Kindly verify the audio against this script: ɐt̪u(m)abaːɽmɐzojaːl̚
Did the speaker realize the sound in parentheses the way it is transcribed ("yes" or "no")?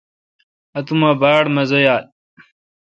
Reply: yes